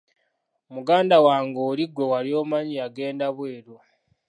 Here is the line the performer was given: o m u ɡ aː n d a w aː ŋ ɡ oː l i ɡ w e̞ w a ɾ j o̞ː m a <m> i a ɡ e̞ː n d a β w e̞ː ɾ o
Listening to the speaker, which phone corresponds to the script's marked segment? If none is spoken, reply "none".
ɲ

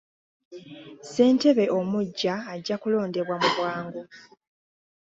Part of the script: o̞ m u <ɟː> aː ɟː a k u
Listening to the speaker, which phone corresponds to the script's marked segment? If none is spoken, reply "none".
ɟː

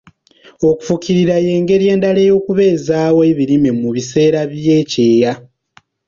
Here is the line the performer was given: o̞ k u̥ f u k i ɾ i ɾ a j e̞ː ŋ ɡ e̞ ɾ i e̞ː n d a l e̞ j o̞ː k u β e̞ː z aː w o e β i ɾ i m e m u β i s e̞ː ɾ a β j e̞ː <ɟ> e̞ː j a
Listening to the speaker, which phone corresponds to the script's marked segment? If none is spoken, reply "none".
c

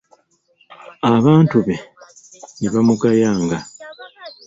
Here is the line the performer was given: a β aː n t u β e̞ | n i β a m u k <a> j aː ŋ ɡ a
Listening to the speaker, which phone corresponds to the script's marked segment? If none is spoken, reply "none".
a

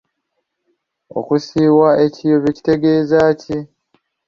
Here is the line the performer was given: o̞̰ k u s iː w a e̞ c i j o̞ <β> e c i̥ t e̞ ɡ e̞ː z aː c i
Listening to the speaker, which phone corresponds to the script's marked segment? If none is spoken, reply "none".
β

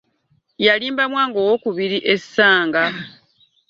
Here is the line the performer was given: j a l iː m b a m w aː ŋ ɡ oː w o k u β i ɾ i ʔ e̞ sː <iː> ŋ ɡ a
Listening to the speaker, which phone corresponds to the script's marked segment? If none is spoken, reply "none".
aː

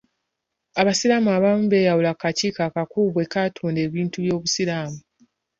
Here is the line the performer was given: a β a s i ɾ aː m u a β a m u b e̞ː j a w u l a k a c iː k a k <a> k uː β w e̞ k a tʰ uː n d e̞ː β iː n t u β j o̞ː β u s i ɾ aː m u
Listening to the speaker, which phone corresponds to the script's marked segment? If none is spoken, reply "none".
a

